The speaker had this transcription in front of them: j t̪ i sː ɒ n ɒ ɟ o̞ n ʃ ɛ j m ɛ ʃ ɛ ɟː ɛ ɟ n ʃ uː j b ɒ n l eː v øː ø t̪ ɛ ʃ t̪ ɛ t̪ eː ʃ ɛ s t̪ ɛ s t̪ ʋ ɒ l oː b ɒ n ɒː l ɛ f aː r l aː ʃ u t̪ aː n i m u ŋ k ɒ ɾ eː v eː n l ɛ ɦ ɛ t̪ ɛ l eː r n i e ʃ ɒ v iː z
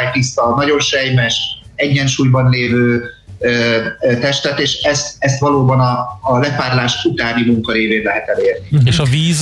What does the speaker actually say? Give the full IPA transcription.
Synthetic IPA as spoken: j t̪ i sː ɒ n ɒ ɟ o̞ n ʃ ɛ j m ɛ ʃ ɛ ɟː ɛ n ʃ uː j b ɒ n l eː v øː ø t̪ ɛ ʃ t̪ ɛ t̪ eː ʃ ɛ s t̪ ɛ s t̪ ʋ ɒ l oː b ɒ n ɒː l ɛ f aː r l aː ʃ u t̪ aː n i m u ŋ k ɒ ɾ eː v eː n l ɛ ɦ ɛ t̪ ɛ l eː r n i e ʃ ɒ v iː z